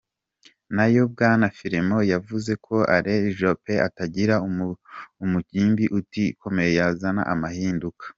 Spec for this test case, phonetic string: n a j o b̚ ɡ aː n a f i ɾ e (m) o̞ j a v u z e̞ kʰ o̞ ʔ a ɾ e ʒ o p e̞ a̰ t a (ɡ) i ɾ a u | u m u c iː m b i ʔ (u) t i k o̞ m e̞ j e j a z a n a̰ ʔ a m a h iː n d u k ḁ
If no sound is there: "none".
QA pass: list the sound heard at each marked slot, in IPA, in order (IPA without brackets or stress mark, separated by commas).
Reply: m, ɟ, u